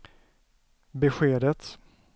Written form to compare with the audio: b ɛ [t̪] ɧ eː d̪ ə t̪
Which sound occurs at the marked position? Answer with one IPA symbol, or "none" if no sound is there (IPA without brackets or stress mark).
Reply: none